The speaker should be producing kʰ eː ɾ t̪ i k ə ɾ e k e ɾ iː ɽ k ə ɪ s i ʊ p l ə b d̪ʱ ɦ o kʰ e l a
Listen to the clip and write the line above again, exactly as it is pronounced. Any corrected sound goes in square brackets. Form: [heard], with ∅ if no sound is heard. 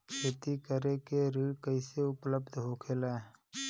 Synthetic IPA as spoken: kʰ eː [∅] t̪ i k ə ɾ e k e ɾ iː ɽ k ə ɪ s [e] ʊ p l ə b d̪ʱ ɦ o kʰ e l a